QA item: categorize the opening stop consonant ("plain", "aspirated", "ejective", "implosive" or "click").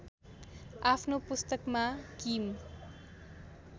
aspirated